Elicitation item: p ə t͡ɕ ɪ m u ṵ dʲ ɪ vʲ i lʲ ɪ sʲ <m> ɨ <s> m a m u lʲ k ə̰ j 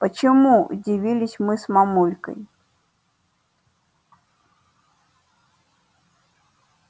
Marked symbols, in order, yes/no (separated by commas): yes, yes